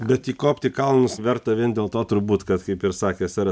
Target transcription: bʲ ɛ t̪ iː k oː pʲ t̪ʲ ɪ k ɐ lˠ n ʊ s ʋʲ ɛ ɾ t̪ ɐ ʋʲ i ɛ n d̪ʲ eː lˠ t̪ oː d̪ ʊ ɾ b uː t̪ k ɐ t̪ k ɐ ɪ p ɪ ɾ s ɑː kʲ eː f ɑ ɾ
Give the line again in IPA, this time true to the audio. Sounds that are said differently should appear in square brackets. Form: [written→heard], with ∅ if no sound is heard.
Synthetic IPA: bʲ ɛ t̪ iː k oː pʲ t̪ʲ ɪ k ɐ lˠ n ʊ s ʋʲ ɛ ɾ t̪ ɐ ʋʲ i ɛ n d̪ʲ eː lˠ t̪ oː [d̪→t̪] ʊ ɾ b uː t̪ k ɐ t̪ k ɐ ɪ p ɪ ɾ s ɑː kʲ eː [f→s] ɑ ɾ

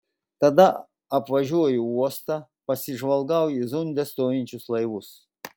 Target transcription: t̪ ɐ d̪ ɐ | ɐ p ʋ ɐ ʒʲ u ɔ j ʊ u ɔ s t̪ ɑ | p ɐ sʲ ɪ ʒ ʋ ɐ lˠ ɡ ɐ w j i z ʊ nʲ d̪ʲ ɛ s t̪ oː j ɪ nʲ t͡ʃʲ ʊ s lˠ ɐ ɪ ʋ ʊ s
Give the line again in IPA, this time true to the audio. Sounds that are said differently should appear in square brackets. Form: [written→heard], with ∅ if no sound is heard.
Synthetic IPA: t̪ ɐ d̪ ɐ | ɐ p ʋ ɐ ʒʲ u ɔ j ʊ u ɔ s t̪ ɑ | p ɐ sʲ ɪ ʒ ʋ ɐ lˠ ɡ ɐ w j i z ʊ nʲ d̪ʲ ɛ s t̪ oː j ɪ nʲ t͡ʃʲ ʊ s lˠ ɐ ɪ ʋ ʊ s

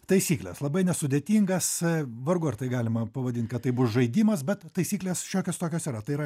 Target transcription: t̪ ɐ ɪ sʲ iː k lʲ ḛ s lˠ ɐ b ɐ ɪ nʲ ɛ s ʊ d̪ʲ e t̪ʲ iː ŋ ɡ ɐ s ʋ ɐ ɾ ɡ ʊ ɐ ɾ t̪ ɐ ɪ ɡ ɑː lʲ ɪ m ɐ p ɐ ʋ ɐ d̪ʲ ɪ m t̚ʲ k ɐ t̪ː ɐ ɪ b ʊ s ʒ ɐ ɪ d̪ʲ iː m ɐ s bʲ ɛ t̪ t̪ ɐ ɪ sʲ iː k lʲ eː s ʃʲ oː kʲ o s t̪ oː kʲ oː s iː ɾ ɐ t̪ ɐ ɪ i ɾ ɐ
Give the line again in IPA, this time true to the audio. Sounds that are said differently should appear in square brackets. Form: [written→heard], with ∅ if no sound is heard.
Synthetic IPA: t̪ ɐ ɪ sʲ iː k lʲ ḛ s lˠ ɐ b ɐ ɪ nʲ ɛ s ʊ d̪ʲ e t̪ʲ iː ŋ ɡ ɐ s ʋ ɐ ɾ ɡ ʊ ɐ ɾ t̪ ɐ ɪ ɡ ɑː lʲ ɪ m ɐ p ɐ ʋ ɐ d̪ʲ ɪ [m→n] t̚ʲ k ɐ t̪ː ɐ ɪ b ʊ s ʒ ɐ ɪ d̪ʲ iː m ɐ s bʲ ɛ t̪ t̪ ɐ ɪ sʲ iː k lʲ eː s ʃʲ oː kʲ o s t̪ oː kʲ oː s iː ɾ ɐ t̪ ɐ ɪ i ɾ ɐ

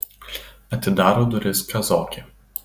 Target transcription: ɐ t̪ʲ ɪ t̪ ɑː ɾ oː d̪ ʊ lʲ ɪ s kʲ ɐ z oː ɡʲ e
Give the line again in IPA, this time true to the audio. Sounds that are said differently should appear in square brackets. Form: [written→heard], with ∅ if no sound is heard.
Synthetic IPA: ɐ t̪ʲ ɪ [t̪→d̪] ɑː ɾ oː d̪ ʊ [lʲ→ɾʲ] ɪ s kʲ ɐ z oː [ɡʲ→kʲ] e

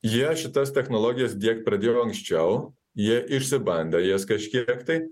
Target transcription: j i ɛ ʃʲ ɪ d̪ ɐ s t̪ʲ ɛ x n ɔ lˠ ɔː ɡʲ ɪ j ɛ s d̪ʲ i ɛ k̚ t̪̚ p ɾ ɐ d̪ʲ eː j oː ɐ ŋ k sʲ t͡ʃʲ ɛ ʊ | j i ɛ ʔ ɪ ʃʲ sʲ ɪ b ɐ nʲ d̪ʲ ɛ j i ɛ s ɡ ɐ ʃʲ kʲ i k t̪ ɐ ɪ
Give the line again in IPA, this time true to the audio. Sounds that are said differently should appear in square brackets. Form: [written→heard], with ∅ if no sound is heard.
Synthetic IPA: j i ɛ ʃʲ ɪ [d̪→t̪] ɐ s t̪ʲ ɛ x n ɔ lˠ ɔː ɡʲ ɪ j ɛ s d̪ʲ i ɛ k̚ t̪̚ p ɾ ɐ d̪ʲ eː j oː ɐ ŋ k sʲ t͡ʃʲ ɛ ʊ | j i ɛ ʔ ɪ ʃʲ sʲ ɪ b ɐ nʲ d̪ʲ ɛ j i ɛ s [ɡ→k] ɐ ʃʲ kʲ i k t̪ ɐ ɪ

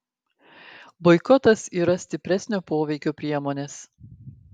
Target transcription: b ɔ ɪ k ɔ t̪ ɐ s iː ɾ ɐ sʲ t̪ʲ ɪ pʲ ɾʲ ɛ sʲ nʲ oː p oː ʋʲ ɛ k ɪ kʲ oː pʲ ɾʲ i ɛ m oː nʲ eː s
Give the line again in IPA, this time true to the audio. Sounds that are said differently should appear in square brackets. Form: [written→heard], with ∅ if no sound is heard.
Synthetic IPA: b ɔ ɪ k ɔ t̪ ɐ s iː ɾ ɐ sʲ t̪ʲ ɪ pʲ ɾʲ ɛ sʲ nʲ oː p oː ʋʲ ɛ [k→∅] ɪ kʲ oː pʲ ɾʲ i ɛ m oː nʲ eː s

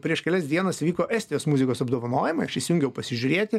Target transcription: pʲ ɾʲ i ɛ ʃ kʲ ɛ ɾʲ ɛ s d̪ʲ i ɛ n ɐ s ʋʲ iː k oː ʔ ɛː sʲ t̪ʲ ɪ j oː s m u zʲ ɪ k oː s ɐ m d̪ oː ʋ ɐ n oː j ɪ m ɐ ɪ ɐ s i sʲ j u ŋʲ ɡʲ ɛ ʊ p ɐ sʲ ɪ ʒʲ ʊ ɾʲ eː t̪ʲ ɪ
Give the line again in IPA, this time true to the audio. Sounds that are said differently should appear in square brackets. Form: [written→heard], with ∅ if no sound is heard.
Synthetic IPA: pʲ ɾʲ i ɛ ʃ kʲ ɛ [ɾʲ→lʲ] ɛ s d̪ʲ i ɛ n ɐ s ʋʲ iː k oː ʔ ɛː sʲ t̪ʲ ɪ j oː s m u zʲ ɪ k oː s ɐ [m→b] d̪ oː ʋ ɐ n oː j ɪ m ɐ ɪ ɐ [s→ʃ] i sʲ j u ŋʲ ɡʲ ɛ ʊ p ɐ sʲ ɪ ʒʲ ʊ ɾʲ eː t̪ʲ ɪ

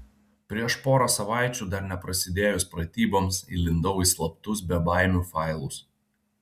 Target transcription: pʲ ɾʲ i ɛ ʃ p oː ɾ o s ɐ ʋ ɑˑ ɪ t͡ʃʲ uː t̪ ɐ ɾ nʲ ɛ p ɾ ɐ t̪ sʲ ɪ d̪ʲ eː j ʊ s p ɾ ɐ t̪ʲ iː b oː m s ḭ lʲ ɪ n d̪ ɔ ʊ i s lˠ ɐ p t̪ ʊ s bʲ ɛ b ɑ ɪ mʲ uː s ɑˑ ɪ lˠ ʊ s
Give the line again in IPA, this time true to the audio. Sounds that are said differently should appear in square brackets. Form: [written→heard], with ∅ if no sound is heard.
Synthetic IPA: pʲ ɾʲ i ɛ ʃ p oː ɾ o s ɐ ʋ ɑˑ ɪ t͡ʃʲ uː [t̪→d̪] ɐ ɾ nʲ ɛ p ɾ ɐ [t̪→∅] sʲ ɪ d̪ʲ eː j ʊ s p ɾ ɐ t̪ʲ iː b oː m s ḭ lʲ ɪ n d̪ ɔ ʊ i s lˠ ɐ p t̪ ʊ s bʲ ɛ b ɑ ɪ mʲ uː [s→f] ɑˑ ɪ lˠ ʊ s

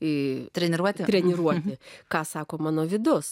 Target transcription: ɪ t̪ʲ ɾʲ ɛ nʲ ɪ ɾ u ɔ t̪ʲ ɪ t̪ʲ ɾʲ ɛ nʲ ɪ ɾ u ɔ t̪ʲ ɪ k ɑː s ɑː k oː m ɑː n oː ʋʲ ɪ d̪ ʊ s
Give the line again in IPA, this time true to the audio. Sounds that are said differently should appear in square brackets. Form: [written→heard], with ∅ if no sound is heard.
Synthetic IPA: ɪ t̪ʲ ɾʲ ɛ nʲ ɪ ɾ u ɔ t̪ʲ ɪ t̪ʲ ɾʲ ɛ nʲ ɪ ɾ u ɔ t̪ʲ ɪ k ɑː s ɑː k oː m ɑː n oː ʋʲ ɪ d̪ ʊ s

